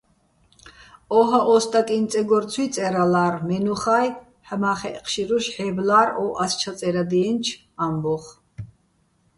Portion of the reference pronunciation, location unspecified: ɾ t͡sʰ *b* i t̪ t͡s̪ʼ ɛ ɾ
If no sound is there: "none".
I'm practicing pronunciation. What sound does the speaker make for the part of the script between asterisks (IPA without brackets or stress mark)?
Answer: w